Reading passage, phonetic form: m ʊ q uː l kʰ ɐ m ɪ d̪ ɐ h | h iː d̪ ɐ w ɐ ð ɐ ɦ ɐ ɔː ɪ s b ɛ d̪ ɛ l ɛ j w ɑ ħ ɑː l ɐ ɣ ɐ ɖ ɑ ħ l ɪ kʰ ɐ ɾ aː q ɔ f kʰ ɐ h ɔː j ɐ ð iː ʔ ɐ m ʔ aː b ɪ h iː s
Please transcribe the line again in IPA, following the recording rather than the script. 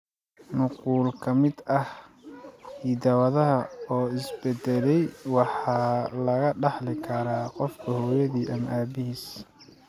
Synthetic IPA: n ʊ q uː l kʰ ɐ m ɪ d̪ ɐ h | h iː d̪ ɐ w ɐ ð ɐ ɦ ɐ ɔː ɪ s b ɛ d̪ ɛ l ɛ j w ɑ ħ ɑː l ɐ ɣ ɐ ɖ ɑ ħ l ɪ kʰ ɐ ɾ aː q ɔ f kʰ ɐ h ɔː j ɐ ð iː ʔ ɐ m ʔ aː b ɪ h iː s

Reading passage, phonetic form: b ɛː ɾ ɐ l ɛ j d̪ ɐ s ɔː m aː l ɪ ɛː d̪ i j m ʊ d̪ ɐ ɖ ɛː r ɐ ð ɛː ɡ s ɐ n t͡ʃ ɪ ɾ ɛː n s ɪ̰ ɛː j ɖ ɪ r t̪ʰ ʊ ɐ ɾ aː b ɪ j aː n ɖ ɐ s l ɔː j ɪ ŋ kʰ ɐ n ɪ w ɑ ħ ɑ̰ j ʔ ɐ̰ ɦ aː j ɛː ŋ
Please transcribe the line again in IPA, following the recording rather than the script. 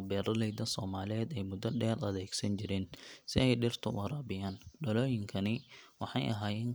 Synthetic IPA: b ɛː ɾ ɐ l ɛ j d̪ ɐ s ɔː m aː l ɪ ɛː d̪ ɛ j m ʊ d̪ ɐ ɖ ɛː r ɐ ð ɛː ɡ s ɐ n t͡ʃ ɪ ɾ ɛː n s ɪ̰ ɛ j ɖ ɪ r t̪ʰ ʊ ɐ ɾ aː b ɪ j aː n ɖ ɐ l ɔː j ɪ ŋ kʰ ɐ n ɪ w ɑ ħ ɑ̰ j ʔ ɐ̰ ɦ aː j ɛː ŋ

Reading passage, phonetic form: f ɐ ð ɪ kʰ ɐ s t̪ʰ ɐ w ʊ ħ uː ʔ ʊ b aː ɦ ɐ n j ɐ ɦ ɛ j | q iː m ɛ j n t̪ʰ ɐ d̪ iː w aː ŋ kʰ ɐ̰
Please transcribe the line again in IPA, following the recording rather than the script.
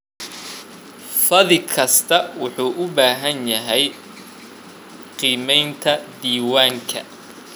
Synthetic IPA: f ɐ ð ɪ kʰ ɐ s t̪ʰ ɐ w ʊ ħ uː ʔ ʊ b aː ɦ ɐ n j ɐ ɦ ɛ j | q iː m ɛ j n t̪ʰ ɐ d̪ iː w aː ŋ kʰ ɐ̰

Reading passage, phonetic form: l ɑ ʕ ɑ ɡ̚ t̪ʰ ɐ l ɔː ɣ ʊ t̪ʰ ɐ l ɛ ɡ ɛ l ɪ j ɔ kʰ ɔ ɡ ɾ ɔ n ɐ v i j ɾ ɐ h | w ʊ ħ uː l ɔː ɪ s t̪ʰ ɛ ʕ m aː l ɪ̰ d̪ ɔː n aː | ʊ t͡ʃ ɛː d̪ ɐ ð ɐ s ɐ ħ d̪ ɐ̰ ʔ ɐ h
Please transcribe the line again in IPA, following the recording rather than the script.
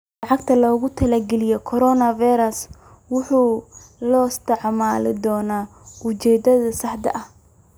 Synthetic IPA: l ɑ ʕ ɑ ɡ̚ t̪ʰ ɐ l ɔː ɣ ʊ t̪ʰ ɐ l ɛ ɡ ɛ l ɪ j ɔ kʰ ɔ ɾ ɔ n ɐ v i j ɾ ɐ s | w ʊ ħ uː l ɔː ɪ s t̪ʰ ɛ ʕ m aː l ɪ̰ d̪ ɔː n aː | ʊ t͡ʃ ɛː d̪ ɐ ð ɐ s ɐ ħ d̪ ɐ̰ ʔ ɐ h

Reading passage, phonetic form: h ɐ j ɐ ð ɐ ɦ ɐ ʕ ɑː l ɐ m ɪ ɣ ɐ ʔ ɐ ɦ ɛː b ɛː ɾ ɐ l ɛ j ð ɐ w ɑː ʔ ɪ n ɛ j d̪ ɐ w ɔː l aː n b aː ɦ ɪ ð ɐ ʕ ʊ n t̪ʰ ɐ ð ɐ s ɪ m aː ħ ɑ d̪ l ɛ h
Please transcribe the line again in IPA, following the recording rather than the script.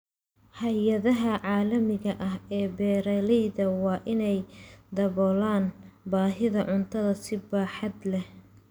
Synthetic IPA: h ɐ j ɐ ð ɐ ɦ ɐ ʕ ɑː l ɐ m ɪ ɣ ɐ ʔ ɐ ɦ ɛː b ɛː ɾ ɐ l ɛ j ð ɐ w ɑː ʔ ɪ n ɛ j d̪ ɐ β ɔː l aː n b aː ɦ ɪ ð ɐ ʕ ʊ n t̪ʰ ɐ ð ɐ s ɪ b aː ħ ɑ d̪ l ɛ h

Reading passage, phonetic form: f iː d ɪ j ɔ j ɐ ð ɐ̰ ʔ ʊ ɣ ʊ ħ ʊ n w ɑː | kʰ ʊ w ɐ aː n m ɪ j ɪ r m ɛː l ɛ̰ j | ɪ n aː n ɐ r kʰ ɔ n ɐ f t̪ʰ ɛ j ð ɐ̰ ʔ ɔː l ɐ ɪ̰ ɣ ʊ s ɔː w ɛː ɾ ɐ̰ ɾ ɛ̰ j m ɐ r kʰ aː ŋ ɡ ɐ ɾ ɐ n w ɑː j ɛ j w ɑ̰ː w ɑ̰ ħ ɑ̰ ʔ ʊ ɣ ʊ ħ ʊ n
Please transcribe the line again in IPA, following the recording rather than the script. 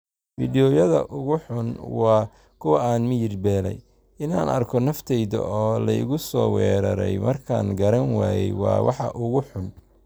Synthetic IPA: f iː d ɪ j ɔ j ɐ ð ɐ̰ ʔ ʊ ɣ ʊ ħ ʊ n w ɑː | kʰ ʊ w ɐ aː n m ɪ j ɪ r b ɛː l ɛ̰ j | ɪ n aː n ɐ r kʰ ɔ n ɐ f t̪ʰ ɛ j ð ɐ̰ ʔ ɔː l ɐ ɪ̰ ɣ ʊ s ɔː w ɛː ɾ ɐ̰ ɾ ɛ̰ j m ɐ r kʰ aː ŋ ɡ ɐ ɾ ɐ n w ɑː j ɛ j w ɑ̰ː w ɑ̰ ħ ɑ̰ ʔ ʊ ɣ ʊ ħ ʊ n

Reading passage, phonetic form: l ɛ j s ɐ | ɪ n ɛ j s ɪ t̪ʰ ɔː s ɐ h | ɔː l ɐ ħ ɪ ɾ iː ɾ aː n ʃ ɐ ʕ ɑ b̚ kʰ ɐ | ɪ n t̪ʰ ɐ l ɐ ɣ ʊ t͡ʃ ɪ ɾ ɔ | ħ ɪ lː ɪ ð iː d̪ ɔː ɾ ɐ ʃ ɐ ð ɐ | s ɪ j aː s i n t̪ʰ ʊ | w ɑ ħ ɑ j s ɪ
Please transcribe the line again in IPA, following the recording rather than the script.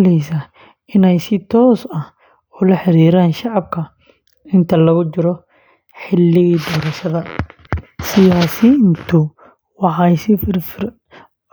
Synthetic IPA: l ɛ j s ɐ | ɪ n ɛ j s ɪ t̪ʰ ɔː s ɐ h | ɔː l ɐ ħ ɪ ɾ iː ɾ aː n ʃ ɑ ʕ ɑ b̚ kʰ ɐ | ɪ n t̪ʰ ɐ l ɐ ɣ ʊ t͡ʃ ɪ ɾ ɔ | ħ ɪ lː ɪ ɣ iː d̪ ɔː ɾ ɐ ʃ ɐ ð ɐ | s ɪ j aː s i n t̪ʰ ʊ | w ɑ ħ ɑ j s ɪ

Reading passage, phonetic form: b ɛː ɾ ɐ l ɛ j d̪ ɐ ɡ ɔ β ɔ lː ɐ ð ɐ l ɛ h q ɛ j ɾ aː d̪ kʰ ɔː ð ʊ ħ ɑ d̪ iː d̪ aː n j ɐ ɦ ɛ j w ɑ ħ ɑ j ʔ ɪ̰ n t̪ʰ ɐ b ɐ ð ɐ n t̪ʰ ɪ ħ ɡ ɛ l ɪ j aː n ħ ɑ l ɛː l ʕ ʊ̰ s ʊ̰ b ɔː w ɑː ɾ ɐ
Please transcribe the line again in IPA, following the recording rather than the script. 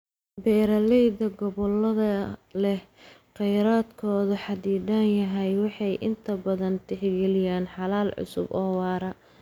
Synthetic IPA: b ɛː ɾ ɐ l ɛ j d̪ ɐ ɡ ɔ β ɔ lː ɐ ð ɐ l ɛ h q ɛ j ɾ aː d̪ kʰ ɔː ð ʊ ħ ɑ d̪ iː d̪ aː n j ɐ ɦ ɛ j w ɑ ħ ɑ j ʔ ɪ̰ n t̪ʰ ɐ b ɐ ð ɐ n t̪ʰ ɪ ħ ɡ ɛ l ɪ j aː n ħ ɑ l aː l ʕ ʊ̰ s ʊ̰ b ɔː w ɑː ɾ ɐ

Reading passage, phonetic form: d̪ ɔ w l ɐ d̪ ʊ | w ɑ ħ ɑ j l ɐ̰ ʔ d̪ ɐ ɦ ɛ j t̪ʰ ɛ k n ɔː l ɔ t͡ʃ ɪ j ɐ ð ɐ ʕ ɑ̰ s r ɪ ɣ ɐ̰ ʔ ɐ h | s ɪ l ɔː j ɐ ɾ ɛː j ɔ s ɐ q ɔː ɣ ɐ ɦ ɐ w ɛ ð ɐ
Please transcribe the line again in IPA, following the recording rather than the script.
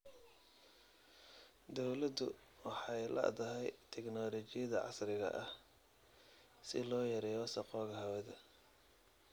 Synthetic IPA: d̪ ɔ w l ɐ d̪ ʊ | w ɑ ħ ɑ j l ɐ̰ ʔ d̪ ɐ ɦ ɛ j t̪ʰ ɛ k n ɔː l ɔ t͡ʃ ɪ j ɐ ð ɐ ʕ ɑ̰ s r ɪ ɣ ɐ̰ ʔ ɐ h | s ɪ l ɔː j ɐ ɾ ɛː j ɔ s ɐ q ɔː ɣ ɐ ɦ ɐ w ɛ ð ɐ

